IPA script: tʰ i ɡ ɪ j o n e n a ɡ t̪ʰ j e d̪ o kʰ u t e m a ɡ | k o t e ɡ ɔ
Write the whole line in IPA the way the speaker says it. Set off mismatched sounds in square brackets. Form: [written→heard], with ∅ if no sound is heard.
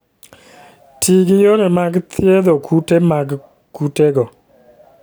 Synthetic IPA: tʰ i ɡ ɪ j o n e [n→m] a ɡ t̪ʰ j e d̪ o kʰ u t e m a ɡ | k [o→u] t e ɡ ɔ